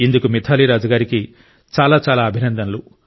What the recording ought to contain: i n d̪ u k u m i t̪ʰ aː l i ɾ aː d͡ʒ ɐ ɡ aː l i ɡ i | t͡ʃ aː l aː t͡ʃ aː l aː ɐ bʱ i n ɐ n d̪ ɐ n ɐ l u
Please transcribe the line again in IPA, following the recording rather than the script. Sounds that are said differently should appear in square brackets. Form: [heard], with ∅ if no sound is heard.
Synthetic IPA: i n d̪ u k u m i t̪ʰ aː l i ɾ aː d͡ʒ ɐ ɡ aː [ɾ] i [k] i | t͡ʃ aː l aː t͡ʃ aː l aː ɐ bʱ i n ɐ n d̪ ɐ n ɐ l u